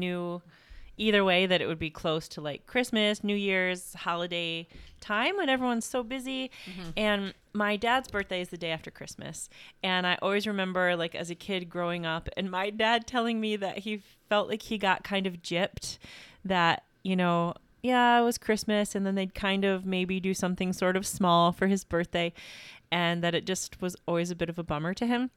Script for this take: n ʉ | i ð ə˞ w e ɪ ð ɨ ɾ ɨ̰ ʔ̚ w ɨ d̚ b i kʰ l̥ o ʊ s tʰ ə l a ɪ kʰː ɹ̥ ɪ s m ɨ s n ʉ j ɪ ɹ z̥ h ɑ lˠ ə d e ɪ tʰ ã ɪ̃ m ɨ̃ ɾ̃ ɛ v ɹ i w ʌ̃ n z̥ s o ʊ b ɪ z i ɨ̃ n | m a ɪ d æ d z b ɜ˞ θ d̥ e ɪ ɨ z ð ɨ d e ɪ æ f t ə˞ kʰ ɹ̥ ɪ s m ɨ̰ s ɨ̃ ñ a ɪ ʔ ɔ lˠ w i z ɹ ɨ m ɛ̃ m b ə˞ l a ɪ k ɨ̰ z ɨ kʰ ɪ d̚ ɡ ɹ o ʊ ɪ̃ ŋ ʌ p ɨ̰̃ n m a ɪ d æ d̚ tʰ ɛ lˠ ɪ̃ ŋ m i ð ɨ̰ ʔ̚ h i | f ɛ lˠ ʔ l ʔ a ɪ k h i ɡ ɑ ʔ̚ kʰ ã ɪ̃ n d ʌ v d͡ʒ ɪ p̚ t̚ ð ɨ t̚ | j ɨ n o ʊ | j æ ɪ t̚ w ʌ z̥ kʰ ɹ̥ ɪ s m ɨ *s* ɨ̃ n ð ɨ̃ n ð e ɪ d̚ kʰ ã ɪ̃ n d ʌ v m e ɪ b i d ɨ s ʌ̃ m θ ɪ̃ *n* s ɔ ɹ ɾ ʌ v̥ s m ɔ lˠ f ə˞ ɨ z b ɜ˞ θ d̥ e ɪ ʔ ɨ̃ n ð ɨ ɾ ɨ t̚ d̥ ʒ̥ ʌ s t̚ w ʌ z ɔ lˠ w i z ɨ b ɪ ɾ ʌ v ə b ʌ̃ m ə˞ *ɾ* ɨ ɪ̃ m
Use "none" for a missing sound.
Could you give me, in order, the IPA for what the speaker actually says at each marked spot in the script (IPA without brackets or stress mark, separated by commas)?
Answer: s, ŋ, ɾ